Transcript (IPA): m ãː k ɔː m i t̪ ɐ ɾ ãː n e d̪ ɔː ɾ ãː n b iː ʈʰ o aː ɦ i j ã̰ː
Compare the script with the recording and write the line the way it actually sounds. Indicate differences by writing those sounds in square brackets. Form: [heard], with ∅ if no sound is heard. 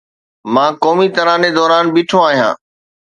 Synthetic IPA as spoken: m ãː k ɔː m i t̪ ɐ ɾ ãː n e d̪ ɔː ɾ [aː] n b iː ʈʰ o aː ɦ i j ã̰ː